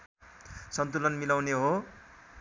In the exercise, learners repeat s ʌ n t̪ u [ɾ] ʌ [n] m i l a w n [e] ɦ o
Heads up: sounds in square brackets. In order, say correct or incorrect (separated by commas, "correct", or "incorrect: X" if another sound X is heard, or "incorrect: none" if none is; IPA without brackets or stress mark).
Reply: incorrect: l, correct, correct